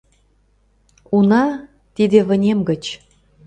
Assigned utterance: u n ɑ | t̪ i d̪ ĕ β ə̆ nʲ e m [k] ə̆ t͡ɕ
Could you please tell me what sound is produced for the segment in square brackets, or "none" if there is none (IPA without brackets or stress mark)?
ɡ